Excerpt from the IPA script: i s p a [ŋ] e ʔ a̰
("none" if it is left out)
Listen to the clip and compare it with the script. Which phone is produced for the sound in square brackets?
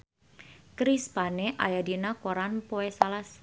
n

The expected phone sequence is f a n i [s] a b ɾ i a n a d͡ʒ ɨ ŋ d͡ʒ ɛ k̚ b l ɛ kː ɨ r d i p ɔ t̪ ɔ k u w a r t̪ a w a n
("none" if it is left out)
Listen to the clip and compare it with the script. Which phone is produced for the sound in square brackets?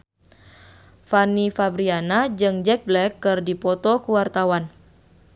f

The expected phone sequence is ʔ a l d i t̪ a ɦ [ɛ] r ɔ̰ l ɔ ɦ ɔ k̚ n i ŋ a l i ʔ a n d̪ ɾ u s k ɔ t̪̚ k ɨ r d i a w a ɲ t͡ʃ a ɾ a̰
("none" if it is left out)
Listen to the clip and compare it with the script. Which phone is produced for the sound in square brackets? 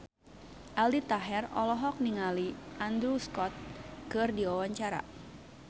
ɛ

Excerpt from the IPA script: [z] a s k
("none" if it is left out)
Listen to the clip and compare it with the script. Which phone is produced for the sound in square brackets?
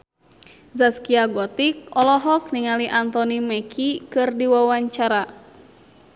z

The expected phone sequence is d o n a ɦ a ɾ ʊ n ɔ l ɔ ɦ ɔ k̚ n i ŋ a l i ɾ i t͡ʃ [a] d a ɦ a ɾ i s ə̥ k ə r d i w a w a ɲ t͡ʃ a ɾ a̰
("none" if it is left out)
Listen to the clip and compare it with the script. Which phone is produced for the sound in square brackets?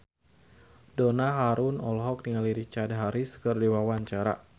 a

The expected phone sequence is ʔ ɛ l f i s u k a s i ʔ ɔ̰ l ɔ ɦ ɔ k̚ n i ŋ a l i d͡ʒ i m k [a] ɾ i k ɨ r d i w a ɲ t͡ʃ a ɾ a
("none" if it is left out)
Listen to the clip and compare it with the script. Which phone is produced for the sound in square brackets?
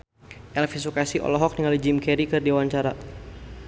ɛ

